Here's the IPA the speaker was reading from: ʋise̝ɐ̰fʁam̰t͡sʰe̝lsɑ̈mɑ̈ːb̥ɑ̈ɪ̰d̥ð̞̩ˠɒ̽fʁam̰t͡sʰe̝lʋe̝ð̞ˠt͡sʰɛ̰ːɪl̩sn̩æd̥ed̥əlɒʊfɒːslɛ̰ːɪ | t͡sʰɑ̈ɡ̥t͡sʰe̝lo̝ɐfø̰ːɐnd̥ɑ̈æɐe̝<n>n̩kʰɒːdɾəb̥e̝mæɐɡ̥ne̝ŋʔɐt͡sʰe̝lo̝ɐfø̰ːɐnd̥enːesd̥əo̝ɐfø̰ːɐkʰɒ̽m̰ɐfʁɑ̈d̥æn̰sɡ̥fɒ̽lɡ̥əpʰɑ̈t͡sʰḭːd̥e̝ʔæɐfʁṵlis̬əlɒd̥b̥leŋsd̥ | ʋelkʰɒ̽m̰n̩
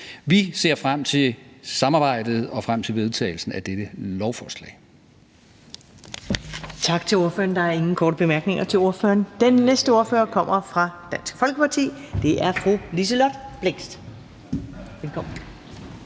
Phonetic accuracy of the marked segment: incorrect: ŋ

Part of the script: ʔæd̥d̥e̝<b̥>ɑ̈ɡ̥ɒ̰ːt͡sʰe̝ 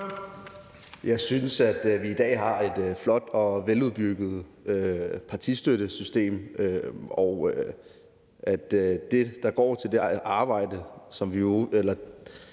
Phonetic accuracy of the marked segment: incorrect: d̥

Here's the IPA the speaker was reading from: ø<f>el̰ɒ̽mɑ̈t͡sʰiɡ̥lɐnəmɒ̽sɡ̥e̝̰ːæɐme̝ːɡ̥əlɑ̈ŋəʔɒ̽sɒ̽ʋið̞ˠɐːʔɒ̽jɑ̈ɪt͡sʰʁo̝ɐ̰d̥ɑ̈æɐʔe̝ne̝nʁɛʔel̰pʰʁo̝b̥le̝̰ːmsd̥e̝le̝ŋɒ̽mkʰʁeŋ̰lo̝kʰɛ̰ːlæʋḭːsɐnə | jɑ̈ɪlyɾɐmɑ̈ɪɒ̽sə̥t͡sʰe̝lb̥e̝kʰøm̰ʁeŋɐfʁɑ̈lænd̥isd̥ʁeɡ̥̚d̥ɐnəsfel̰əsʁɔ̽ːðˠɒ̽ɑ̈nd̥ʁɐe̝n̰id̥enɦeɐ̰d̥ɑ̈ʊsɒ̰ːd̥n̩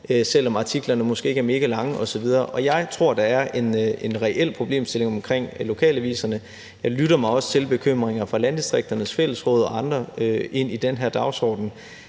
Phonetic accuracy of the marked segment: incorrect: s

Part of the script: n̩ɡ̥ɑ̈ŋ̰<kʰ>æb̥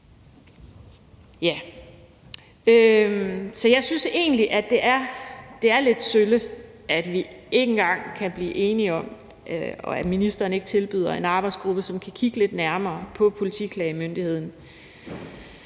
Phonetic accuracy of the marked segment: correct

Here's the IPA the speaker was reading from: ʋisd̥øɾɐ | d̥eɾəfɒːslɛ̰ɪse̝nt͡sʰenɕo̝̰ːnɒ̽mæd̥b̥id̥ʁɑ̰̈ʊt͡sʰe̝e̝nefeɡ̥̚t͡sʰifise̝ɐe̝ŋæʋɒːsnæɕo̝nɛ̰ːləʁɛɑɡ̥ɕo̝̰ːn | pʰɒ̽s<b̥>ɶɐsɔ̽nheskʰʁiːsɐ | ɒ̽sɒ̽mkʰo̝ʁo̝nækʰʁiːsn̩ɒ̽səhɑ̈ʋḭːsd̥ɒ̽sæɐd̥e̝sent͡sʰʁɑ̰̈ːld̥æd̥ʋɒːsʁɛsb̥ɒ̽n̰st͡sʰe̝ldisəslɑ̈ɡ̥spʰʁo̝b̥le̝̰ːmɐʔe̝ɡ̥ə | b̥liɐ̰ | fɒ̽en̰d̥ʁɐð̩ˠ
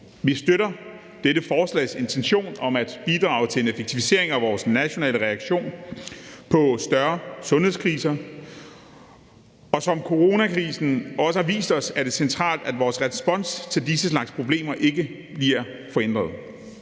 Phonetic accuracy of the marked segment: incorrect: d̥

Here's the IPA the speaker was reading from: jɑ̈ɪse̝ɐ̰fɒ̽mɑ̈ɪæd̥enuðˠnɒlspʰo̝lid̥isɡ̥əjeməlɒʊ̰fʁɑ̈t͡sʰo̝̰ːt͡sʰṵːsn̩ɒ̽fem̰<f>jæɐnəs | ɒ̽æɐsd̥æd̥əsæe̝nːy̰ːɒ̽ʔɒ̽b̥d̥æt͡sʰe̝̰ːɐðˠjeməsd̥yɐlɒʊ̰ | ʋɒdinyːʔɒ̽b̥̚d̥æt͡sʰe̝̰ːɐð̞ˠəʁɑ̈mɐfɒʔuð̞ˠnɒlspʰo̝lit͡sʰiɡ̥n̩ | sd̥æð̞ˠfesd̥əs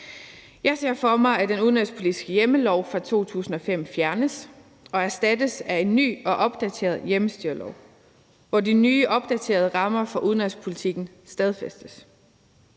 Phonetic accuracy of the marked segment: correct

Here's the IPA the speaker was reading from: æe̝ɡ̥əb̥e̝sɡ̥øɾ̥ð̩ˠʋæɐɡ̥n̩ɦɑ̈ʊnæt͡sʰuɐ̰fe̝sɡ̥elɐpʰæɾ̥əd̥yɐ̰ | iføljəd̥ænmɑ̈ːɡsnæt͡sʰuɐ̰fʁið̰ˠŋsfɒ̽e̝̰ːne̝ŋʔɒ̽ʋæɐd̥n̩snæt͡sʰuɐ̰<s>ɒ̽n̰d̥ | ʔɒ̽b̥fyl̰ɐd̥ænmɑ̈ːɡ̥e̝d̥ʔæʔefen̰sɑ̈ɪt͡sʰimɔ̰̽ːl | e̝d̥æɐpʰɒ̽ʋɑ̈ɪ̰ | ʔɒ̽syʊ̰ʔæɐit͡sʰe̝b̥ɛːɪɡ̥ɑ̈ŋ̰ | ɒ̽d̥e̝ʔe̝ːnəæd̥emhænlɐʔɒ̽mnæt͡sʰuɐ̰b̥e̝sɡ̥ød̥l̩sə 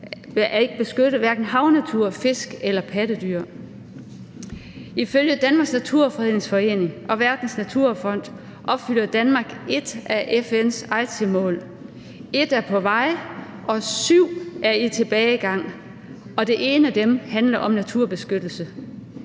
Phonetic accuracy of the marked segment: incorrect: f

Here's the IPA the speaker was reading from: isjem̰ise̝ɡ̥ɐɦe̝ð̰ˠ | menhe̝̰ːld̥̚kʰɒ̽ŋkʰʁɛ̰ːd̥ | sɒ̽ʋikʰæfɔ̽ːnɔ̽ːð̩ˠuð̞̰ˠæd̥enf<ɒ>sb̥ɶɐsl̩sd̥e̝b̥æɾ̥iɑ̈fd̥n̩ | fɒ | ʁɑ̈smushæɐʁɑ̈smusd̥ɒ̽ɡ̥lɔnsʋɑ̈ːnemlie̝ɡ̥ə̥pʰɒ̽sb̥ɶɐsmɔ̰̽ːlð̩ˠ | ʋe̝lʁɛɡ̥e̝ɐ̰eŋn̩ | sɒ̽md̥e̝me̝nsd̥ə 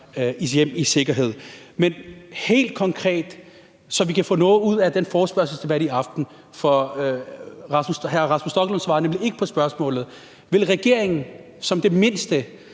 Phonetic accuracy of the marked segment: incorrect: ɒː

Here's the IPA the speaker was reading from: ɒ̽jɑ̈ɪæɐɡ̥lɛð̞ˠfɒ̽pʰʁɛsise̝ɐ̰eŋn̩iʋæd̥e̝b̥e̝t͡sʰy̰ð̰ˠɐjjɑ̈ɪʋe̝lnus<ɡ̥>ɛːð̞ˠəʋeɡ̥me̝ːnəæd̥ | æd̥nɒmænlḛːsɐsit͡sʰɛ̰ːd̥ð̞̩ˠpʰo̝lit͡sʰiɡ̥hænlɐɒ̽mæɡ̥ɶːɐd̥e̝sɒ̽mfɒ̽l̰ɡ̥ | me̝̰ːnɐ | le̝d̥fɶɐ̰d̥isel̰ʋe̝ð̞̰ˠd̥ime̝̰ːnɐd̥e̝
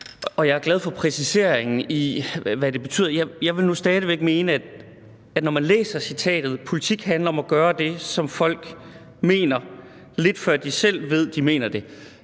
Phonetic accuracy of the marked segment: incorrect: d̥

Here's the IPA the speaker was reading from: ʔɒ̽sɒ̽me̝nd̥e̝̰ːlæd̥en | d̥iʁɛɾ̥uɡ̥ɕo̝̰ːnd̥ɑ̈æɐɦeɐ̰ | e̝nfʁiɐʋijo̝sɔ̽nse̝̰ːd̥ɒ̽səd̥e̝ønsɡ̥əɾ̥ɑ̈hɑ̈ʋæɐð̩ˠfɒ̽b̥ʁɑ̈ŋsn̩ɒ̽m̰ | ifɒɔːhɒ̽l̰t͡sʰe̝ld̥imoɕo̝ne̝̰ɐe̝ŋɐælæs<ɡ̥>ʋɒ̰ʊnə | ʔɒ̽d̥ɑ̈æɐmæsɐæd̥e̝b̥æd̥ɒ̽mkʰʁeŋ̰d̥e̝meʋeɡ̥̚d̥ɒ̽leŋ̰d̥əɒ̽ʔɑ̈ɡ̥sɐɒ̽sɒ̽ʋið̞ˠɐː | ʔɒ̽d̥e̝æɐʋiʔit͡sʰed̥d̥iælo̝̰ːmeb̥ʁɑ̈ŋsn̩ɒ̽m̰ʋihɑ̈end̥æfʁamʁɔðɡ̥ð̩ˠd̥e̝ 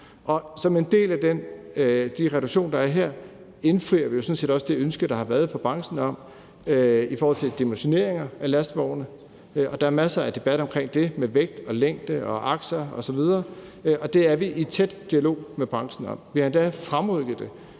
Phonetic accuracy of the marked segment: incorrect: d̥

